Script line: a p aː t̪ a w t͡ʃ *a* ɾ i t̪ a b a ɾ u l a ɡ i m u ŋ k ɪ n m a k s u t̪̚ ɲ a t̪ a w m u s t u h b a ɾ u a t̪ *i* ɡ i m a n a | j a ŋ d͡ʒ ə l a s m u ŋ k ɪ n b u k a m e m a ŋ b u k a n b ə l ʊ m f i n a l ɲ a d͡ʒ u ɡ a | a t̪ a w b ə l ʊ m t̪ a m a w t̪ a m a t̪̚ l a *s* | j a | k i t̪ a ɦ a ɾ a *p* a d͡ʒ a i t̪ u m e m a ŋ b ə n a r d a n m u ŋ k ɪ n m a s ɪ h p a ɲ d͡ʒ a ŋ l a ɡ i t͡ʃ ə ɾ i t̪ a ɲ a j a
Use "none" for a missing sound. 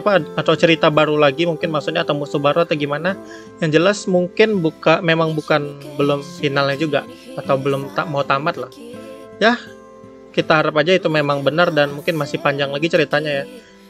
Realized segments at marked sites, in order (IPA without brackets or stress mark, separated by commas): ə, a, h, p